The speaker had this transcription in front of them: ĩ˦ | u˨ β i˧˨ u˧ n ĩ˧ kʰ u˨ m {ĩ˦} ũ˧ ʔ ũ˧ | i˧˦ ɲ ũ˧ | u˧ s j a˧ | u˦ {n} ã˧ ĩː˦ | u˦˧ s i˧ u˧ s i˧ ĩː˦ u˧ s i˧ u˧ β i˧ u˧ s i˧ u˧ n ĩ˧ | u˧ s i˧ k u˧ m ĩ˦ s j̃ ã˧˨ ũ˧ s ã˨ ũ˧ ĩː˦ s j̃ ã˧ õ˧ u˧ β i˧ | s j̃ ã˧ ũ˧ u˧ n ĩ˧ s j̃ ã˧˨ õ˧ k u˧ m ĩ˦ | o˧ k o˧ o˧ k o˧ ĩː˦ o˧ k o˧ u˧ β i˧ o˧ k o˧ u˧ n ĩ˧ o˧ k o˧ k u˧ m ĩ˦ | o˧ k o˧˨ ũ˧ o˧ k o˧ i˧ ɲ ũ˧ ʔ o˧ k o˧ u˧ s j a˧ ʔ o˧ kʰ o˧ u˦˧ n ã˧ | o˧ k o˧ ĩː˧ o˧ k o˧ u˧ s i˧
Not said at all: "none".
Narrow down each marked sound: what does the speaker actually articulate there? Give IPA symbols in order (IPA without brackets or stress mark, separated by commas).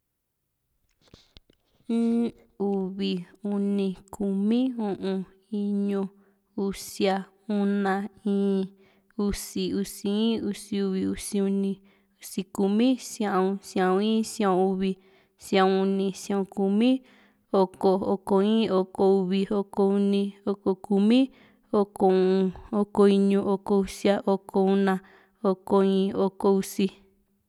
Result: ĩ˦, n